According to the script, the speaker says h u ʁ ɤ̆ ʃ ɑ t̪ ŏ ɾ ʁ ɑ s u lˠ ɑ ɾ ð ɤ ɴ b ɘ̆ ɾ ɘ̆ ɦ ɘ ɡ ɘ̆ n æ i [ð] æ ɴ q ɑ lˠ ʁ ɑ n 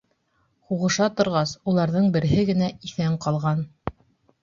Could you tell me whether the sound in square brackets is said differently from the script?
yes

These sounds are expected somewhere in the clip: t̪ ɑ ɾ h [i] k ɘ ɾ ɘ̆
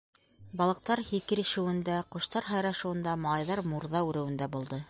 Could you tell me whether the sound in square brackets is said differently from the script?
no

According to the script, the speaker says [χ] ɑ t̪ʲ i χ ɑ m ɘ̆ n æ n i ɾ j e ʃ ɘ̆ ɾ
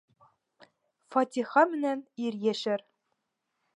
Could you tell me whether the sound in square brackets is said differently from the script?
yes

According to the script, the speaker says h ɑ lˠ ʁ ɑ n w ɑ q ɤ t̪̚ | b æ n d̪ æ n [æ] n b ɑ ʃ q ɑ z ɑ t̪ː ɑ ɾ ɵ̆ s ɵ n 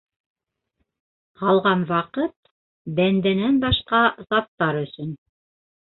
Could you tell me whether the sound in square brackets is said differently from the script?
no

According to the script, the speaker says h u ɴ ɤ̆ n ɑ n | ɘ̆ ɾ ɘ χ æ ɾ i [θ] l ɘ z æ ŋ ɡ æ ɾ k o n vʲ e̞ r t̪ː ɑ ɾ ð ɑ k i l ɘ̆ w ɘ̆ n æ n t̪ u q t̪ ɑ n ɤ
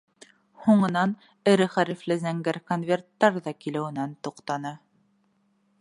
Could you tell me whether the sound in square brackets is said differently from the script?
yes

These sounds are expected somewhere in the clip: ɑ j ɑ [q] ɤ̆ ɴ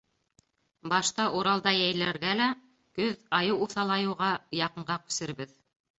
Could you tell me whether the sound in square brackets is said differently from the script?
no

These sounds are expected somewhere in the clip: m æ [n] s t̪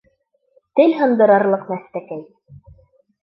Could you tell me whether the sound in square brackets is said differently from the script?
yes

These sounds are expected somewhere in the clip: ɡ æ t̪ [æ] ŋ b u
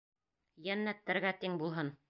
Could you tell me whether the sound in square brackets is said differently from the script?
yes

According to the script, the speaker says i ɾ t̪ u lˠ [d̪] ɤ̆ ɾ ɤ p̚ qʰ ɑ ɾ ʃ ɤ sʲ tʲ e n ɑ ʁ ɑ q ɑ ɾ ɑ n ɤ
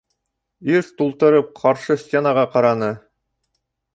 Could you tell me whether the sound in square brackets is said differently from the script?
yes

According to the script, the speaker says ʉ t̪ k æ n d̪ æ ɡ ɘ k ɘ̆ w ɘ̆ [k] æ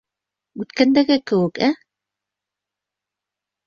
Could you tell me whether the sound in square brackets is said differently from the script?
no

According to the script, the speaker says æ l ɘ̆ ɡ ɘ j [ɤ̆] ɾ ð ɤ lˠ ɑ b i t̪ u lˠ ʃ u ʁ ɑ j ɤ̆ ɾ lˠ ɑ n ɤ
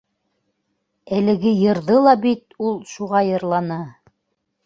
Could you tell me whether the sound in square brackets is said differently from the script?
no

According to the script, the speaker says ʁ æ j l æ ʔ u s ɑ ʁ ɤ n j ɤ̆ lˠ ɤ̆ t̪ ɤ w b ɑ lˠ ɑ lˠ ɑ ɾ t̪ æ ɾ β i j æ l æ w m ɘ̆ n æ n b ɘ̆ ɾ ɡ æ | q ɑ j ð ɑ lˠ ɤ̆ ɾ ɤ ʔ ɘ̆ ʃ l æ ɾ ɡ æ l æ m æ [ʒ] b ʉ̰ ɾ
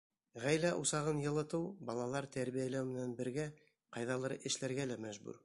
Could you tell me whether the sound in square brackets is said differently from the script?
no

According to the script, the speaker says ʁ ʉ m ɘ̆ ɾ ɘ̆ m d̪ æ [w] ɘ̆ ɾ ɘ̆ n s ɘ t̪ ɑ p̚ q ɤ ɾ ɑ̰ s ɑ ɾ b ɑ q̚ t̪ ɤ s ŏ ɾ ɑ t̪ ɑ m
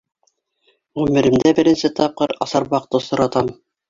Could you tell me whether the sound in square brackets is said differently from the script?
yes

